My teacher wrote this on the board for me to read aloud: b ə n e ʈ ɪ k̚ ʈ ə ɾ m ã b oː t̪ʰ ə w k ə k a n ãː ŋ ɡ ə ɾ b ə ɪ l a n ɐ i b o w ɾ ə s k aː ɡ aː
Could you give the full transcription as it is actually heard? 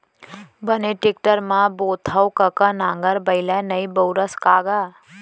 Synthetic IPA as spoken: b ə n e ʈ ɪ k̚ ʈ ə ɾ m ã b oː t̪ʰ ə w k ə k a n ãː ŋ ɡ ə ɾ b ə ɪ l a n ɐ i b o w ɾ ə s k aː ɡ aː